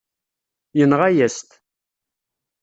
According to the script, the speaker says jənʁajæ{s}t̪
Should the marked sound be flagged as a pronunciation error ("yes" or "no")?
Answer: no